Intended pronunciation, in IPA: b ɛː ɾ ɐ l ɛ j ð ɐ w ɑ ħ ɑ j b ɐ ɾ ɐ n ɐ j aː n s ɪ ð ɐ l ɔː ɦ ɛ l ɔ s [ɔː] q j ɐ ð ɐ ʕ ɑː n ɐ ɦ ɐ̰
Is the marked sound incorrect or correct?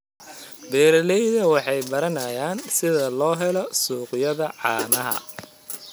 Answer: incorrect